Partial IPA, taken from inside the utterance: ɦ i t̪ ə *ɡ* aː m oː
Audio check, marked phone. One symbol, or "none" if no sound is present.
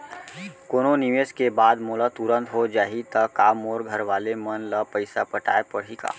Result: k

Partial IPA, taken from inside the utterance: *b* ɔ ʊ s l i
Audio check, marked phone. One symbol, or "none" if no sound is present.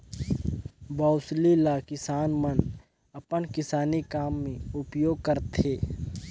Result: b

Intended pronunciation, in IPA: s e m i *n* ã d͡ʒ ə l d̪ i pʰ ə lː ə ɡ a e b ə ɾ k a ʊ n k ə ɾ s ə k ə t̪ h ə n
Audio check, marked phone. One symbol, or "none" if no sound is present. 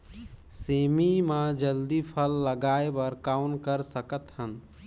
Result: m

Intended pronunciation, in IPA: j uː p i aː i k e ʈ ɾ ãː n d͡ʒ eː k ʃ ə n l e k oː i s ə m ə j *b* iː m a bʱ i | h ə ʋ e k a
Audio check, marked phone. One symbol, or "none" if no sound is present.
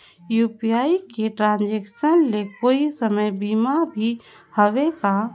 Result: b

